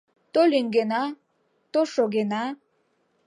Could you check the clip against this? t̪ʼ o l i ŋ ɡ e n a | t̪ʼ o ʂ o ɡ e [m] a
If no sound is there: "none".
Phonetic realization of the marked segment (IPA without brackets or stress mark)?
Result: n